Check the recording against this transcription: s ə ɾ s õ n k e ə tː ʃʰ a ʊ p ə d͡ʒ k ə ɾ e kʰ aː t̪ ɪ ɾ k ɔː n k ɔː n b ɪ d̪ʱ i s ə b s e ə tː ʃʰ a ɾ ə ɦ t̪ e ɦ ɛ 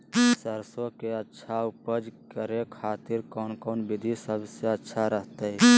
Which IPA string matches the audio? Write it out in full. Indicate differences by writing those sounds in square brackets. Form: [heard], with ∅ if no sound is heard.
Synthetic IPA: s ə ɾ s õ [∅] k e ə tː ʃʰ a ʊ p ə d͡ʒ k ə ɾ e kʰ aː t̪ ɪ ɾ k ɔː n k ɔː n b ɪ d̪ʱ i s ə b s e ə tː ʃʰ a ɾ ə ɦ t̪ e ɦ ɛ